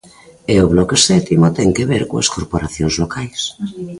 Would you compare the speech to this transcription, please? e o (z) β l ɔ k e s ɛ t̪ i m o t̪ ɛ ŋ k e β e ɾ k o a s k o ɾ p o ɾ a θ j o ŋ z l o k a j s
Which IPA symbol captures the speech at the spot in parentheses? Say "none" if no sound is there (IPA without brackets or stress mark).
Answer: none